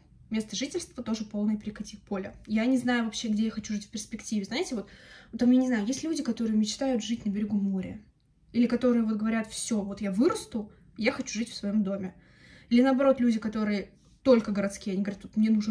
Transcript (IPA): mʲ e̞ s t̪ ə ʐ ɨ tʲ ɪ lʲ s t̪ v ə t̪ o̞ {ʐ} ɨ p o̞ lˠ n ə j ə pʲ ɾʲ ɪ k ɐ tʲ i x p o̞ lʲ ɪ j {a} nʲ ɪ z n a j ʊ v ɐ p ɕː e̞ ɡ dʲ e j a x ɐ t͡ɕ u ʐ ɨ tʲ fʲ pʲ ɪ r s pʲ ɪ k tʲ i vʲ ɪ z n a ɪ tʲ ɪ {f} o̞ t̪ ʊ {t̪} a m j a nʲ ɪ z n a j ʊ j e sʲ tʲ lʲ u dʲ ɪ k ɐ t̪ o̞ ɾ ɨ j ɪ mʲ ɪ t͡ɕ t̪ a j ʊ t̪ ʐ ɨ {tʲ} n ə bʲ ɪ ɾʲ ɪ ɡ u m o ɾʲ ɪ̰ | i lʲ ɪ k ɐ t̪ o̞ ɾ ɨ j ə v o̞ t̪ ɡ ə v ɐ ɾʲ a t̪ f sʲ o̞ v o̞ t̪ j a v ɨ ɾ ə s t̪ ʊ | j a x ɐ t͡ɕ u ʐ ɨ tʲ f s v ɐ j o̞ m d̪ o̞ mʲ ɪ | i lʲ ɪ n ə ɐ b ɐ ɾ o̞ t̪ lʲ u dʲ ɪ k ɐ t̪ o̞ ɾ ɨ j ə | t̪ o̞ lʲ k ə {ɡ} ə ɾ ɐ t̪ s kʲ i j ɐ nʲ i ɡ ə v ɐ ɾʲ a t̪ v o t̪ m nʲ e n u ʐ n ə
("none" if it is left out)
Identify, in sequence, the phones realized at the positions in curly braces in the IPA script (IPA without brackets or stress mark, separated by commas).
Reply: ʐ, a, v, t̪, tʲ, ɡ